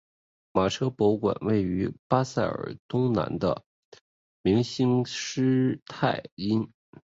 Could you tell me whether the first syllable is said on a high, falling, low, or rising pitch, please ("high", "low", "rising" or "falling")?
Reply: low